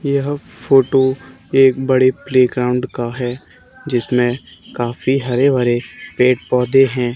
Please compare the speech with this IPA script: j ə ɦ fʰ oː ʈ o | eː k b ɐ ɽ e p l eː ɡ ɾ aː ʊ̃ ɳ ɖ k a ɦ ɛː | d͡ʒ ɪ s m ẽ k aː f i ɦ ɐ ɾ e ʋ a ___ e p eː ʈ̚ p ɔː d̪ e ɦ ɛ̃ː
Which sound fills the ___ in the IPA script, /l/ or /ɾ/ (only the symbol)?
ɾ